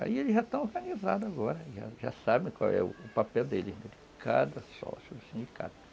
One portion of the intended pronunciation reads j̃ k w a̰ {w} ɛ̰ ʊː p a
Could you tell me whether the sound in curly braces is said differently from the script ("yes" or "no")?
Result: no